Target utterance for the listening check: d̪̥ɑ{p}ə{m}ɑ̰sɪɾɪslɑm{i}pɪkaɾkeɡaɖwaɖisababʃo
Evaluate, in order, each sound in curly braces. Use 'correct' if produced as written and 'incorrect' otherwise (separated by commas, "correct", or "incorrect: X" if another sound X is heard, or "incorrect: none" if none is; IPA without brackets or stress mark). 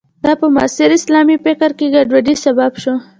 correct, correct, correct